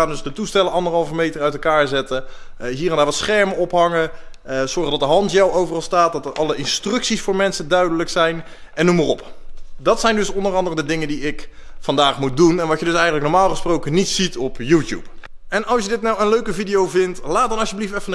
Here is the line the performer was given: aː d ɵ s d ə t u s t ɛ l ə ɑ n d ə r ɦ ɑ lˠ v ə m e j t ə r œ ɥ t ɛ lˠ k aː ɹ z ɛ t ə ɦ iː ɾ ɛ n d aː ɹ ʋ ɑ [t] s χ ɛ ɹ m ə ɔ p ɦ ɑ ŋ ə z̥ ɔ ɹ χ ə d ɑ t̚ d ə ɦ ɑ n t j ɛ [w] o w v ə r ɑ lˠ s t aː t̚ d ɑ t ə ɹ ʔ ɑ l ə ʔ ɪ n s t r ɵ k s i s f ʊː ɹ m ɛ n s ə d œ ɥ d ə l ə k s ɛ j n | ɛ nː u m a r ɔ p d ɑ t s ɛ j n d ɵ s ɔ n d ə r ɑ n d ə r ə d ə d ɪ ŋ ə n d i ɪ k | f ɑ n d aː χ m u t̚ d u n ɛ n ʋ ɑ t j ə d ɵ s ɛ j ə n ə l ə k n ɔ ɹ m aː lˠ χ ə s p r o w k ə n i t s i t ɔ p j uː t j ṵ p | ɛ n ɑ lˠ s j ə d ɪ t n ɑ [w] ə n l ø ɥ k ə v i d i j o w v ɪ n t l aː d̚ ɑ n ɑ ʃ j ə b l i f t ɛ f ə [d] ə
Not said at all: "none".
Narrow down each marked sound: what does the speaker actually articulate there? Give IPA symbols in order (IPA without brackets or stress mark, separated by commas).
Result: t, w, w, n